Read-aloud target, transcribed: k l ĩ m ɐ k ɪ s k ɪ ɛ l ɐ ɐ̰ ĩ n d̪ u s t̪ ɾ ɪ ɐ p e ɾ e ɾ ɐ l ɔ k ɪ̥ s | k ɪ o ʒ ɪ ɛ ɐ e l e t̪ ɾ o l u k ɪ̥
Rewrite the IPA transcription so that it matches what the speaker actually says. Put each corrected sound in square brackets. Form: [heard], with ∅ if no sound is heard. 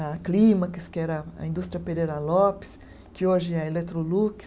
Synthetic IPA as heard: k l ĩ m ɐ k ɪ s k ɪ ɛ [ɾ] ɐ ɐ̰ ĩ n d̪ u s t̪ ɾ [i] ɐ p e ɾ e ɾ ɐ l ɔ [p] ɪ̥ s | k ɪ o ʒ ɪ ɛ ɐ e l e t̪ ɾ o l u k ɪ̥